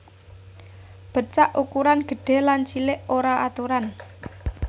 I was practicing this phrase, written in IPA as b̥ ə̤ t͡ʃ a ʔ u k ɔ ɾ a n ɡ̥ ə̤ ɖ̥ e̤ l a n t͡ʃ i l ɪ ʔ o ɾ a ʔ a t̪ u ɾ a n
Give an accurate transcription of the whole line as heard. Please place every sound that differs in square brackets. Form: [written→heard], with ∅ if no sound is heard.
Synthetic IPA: b̥ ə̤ t͡ʃ a ʔ u k [ɔ→u] ɾ a n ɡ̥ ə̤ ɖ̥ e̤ l a n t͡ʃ i l ɪ ʔ o ɾ a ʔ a t̪ u ɾ a n

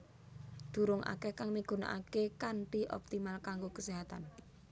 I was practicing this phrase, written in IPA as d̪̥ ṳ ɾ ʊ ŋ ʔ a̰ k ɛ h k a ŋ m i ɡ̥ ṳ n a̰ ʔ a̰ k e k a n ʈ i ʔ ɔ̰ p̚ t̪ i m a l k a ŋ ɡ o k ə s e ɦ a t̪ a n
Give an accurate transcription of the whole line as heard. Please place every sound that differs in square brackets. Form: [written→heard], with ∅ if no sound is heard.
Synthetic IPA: d̪̥ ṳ ɾ ʊ ŋ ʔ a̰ k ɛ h k a ŋ m i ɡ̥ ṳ n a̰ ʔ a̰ k e k a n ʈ i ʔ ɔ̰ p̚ t̪ i m a l k a ŋ ɡ o k ə s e ɦ a t̪ a n

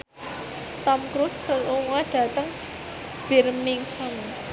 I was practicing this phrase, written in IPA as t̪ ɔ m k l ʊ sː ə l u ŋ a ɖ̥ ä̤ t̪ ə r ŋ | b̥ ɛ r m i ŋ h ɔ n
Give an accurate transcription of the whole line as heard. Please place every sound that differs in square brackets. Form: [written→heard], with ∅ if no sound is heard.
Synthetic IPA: t̪ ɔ m k [l→ɾ] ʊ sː ə l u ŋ a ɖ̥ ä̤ t̪ ə [r→∅] ŋ | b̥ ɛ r m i ŋ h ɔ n

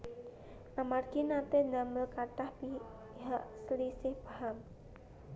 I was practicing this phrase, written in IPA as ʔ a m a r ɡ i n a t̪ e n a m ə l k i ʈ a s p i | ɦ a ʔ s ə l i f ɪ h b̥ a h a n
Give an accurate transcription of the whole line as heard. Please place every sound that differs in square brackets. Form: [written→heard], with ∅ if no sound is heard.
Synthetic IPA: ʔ a m a r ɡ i n a t̪ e n a m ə l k [i→a] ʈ a [s→h] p i | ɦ a ʔ s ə l i [f→s] ɪ h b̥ a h a [n→m]

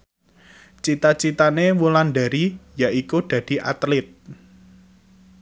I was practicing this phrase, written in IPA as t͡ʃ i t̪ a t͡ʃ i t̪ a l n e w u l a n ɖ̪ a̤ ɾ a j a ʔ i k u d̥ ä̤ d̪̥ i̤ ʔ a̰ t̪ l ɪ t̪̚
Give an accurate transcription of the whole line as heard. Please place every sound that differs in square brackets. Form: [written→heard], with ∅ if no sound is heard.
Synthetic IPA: t͡ʃ i t̪ a t͡ʃ i t̪ a [l→∅] n e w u l a n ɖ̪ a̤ ɾ [a→i] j a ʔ i k u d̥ ä̤ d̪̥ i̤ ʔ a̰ t̪ l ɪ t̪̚

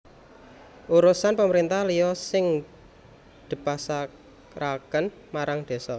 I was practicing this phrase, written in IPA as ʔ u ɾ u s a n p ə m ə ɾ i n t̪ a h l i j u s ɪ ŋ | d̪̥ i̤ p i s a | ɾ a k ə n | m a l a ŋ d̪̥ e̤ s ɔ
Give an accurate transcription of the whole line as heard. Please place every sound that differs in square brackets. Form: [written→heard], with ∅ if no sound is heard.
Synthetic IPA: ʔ u ɾ u s a n p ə m ə ɾ i n t̪ a h l i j [u→ɔ] s ɪ ŋ | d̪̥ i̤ p [i→a] s a | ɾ a k ə n | m a [l→ɾ] a ŋ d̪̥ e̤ s ɔ

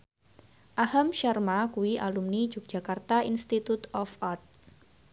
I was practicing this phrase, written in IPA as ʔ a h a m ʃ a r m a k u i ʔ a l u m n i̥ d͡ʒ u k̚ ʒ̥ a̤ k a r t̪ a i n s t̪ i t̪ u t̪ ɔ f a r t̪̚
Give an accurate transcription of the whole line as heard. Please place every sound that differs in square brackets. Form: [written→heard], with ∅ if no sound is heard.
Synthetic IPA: ʔ a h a m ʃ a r m a k u i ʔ a l u m n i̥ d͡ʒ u k̚ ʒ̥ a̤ k a r t̪ a i n s t̪ i t̪ u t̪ ɔ f a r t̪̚

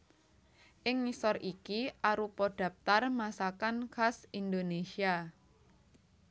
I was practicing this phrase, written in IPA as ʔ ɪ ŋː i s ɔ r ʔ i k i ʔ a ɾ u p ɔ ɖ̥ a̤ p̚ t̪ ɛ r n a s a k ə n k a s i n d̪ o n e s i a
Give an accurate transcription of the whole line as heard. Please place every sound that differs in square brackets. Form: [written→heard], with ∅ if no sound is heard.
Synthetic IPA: ʔ ɪ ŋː i s ɔ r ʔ i k i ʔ a ɾ u p ɔ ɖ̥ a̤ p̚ t̪ [ɛ→a] r [n→m] a s a k [ə→a] n k a s i n d̪ o n e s i a

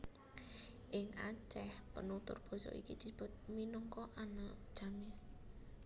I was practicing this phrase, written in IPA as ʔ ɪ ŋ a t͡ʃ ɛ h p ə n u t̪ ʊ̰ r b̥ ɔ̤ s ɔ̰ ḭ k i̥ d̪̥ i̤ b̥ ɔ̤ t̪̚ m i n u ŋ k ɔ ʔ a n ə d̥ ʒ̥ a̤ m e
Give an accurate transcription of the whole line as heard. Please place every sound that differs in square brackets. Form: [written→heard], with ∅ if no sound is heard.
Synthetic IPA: ʔ ɪ ŋ a t͡ʃ ɛ h p ə n u t̪ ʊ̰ r b̥ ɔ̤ s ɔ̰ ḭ k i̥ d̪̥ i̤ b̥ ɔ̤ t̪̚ m i n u ŋ k ɔ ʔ a n [ə→a] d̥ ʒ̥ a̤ m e

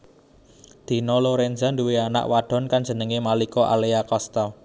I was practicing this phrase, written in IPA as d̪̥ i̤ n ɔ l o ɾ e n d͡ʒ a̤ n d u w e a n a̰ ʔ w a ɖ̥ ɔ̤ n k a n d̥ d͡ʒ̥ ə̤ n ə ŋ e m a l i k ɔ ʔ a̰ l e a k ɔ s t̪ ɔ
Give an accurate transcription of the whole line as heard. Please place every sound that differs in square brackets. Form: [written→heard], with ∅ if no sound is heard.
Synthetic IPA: d̪̥ i̤ n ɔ l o ɾ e n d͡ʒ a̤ n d u w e a n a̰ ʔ w a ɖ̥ ɔ̤ n k a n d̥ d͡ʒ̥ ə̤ n ə ŋ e m a l i k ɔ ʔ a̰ l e a k ɔ s t̪ ɔ

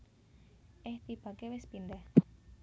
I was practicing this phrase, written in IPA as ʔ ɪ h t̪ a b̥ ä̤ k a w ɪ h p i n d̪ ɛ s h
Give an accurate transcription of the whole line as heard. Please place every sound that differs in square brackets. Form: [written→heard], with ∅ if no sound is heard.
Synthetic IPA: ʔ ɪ h t̪ [a→i] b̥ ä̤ k [a→e] w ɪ [h→s] p i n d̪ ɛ [s→∅] h

